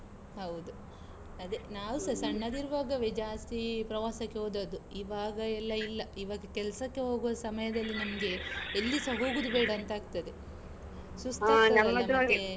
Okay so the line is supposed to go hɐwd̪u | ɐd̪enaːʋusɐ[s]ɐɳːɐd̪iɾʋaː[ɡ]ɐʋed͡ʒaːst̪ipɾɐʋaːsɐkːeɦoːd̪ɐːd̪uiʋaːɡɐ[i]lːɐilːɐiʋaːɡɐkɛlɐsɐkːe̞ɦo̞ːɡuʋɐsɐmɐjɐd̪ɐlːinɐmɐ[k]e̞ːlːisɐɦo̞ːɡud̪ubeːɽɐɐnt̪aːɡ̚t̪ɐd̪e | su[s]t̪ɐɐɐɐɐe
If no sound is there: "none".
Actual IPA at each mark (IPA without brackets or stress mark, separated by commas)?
s, ɡ, ɛ, ɡ, s